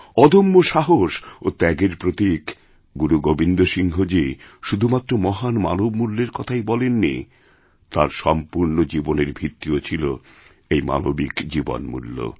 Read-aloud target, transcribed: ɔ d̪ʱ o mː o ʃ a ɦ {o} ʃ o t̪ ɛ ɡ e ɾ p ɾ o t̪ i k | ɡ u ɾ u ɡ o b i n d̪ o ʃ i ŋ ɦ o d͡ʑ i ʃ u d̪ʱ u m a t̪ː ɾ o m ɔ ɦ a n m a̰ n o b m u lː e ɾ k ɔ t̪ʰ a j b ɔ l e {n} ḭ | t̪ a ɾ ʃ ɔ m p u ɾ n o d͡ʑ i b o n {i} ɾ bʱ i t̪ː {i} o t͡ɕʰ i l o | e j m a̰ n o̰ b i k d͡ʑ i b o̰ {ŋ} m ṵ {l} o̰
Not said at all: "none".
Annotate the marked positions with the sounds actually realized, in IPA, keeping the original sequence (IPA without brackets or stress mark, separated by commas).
o, nː, e, i, n, lː